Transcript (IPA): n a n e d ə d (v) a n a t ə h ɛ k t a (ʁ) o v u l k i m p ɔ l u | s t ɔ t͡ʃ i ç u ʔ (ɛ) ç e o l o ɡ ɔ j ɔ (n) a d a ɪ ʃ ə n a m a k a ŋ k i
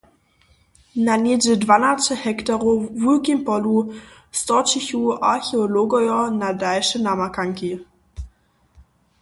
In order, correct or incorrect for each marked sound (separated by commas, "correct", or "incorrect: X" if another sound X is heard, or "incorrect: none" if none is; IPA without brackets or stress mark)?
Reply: correct, correct, incorrect: a, correct